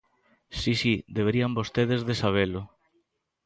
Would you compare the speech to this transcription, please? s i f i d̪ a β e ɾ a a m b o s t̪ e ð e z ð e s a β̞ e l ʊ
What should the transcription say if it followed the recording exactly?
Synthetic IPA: s i s i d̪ e β e ɾ i a m b o s t̪ e ð e z ð e s a β̞ e l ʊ